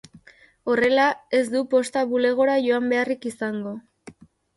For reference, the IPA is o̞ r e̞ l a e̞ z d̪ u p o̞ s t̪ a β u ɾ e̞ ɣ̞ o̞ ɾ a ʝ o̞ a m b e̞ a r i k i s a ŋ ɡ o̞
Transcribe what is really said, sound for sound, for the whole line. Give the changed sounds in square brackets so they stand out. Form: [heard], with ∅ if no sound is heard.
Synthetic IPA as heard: o̞ r e̞ l a e̞ z d̪ u p o̞ s t̪ a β u [l] e̞ ɣ̞ o̞ ɾ a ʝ o̞ a m b e̞ a r i k i s a ŋ ɡ o̞